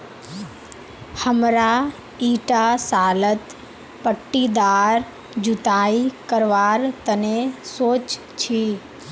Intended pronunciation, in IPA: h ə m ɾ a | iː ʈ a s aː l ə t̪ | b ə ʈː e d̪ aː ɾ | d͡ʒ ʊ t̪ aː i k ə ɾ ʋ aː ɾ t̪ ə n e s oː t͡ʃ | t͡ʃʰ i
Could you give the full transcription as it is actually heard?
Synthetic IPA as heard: h ə m ɾ a | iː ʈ a s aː l ə t̪ | p ə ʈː i d̪ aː ɾ | d͡ʒ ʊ t̪ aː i k ə ɾ ʋ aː ɾ t̪ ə n e s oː t͡ʃ | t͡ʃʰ i